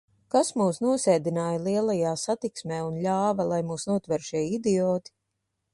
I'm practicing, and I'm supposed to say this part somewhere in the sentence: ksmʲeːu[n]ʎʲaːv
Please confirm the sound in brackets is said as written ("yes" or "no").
yes